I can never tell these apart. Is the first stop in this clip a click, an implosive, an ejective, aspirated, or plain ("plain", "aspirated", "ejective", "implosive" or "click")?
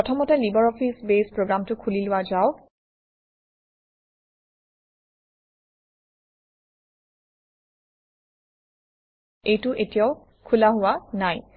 aspirated